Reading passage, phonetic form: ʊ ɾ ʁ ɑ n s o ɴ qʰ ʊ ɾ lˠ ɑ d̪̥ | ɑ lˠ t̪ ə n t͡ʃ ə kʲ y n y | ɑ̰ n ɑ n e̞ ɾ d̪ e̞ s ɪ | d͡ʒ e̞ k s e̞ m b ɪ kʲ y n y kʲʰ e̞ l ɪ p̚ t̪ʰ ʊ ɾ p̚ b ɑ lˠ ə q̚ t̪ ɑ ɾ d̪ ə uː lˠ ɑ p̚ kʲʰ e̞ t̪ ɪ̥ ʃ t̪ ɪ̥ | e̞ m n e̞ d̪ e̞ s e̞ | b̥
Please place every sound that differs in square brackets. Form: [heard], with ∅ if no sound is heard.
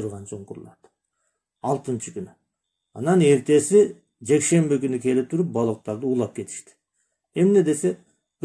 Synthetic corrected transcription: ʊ ɾ ʁ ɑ n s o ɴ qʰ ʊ ɾ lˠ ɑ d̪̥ | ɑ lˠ t̪ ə n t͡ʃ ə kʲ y n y | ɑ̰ n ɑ n e̞ ɾ [t̪] e̞ s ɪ | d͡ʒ e̞ k [ʃ] e̞ m b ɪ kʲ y n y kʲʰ e̞ l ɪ p̚ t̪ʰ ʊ ɾ p̚ b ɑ lˠ ə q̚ t̪ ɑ ɾ d̪ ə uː lˠ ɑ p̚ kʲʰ e̞ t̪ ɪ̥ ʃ t̪ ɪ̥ | e̞ m n e̞ d̪ e̞ s e̞ | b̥